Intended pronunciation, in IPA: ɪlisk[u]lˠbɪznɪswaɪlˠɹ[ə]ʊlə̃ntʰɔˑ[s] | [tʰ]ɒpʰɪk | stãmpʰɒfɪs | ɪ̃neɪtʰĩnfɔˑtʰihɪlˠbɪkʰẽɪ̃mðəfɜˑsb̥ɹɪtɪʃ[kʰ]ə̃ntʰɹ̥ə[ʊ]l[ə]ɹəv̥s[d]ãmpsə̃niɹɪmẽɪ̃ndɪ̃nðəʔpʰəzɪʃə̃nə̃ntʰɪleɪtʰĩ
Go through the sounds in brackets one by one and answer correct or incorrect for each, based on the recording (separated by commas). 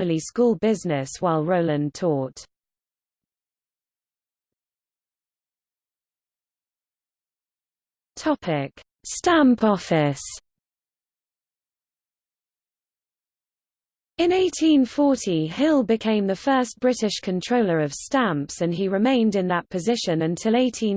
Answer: incorrect, correct, incorrect, correct, correct, correct, correct, incorrect